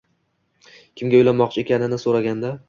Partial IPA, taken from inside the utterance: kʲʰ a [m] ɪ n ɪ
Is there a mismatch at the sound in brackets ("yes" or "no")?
yes